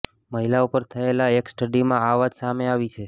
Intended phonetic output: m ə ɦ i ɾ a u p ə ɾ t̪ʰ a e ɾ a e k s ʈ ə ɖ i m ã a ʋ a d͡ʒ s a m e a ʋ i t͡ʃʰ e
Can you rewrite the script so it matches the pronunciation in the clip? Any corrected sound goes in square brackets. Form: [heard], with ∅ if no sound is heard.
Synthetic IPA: m ə ɦ i [l] a u p ə ɾ t̪ʰ [ə] e [l] a e k s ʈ ə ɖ i m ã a ʋ a d͡ʒ s a m e a ʋ i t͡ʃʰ e